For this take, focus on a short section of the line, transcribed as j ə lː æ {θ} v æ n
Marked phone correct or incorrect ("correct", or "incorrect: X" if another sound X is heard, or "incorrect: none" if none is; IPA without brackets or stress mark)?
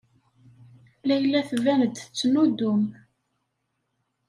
correct